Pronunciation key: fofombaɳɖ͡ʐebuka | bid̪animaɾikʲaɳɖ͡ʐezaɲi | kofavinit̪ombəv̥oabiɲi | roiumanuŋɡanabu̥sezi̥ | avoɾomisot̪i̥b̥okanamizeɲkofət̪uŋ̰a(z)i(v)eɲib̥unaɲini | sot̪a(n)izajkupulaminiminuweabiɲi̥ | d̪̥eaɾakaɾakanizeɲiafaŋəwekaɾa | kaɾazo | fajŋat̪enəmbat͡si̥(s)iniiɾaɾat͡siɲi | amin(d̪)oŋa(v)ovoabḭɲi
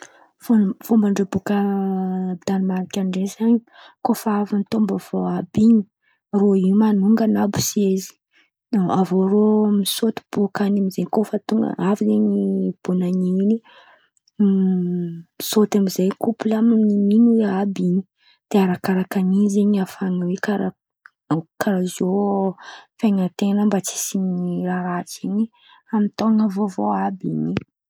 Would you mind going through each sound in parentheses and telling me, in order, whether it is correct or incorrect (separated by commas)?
incorrect, incorrect, incorrect, correct, incorrect, correct